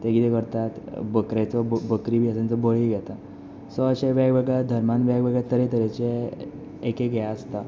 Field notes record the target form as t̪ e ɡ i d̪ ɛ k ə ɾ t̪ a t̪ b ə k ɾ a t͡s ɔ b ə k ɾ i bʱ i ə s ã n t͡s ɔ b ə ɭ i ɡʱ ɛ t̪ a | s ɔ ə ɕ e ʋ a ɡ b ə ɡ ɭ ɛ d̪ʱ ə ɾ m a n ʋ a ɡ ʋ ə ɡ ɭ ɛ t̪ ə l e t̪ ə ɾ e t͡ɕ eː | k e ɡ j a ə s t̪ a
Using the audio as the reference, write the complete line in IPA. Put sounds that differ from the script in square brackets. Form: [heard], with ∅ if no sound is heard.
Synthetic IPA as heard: t̪ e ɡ i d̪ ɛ k ə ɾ t̪ a t̪ b ə k ɾ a t͡s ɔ b ə k ɾ i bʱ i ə s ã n t͡s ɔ b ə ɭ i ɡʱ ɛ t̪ a | s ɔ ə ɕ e ʋ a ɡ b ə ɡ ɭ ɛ d̪ʱ ə ɾ m a n ʋ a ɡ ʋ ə ɡ ɭ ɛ t̪ ə [ɾ] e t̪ ə ɾ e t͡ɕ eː | k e ɡ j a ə s t̪ a